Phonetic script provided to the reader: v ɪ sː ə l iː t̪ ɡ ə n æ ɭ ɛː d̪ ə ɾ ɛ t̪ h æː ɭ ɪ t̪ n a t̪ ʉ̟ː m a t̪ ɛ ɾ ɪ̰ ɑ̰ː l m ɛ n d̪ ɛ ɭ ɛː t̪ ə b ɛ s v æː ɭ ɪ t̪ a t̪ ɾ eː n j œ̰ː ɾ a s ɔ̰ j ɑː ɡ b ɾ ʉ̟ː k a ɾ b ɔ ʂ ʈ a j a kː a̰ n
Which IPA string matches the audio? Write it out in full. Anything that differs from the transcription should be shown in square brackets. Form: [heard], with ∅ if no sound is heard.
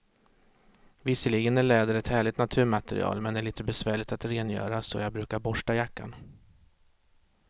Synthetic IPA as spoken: v ɪ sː ə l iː [∅] ɡ ə n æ ɭ ɛː d̪ ə ɾ ɛ t̪ h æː ɭ ɪ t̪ n a [t̪ʰ] ʉ̟ː m a t̪ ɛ ɾ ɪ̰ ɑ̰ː l m ɛ n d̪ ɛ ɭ [iː] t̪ ə b ɛ s v æː ɭ ɪ t̪ a t̪ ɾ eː n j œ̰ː ɾ a s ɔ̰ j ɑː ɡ b ɾ ʉ̟ː k a ɾ b ɔ ʂ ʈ a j a kː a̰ n

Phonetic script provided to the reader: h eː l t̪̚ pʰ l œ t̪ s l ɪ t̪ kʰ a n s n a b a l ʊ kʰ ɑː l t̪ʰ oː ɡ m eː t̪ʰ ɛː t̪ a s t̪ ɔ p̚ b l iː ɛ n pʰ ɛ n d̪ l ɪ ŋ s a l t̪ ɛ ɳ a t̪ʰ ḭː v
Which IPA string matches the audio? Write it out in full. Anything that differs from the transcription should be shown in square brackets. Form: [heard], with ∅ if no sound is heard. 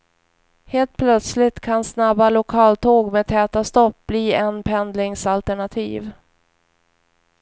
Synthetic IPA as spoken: h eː l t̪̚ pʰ l œ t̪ s l ɪ t̪ kʰ a n s n a b a l ʊ kʰ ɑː l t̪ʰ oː ɡ m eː t̪ʰ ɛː t̪ a s t̪ ɔ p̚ b l iː ɛ n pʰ ɛ n d̪ l ɪ ŋ s a l t̪ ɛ ɳ a t̪ʰ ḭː v

